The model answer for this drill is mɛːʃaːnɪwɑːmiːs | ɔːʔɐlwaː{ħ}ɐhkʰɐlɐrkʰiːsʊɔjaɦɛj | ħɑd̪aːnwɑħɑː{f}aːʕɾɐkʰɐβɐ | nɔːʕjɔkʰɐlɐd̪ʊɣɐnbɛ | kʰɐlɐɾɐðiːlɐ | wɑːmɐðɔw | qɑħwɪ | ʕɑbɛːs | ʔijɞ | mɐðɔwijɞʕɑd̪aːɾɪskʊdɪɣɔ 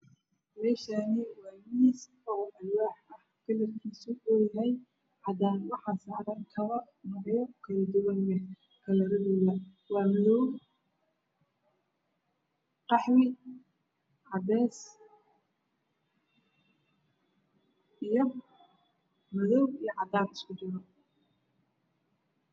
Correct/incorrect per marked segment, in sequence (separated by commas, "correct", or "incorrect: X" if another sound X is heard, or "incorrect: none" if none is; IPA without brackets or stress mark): correct, incorrect: s